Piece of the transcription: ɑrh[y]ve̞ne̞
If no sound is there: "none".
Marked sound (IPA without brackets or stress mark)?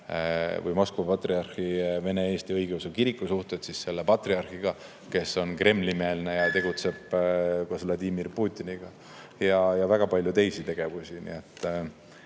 i